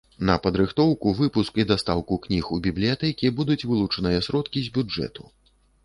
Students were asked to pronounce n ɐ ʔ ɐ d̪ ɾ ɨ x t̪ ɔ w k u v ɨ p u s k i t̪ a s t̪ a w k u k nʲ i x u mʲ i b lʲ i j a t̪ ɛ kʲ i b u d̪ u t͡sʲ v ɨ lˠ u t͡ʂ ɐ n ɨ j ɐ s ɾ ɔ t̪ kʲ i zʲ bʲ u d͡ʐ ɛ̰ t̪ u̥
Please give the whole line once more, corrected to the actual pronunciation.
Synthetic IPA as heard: n ɐ p ɐ d̪ ɾ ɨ x t̪ ɔ w k u v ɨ p u s k i d̪ a s t̪ a w k u k nʲ i x u bʲ i b lʲ i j a t̪ ɛ kʲ i b u d̪ u t͡sʲ v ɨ lˠ u t͡ʂ ɐ n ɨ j ɐ s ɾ ɔ t̪ kʲ i zʲ bʲ u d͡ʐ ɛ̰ t̪ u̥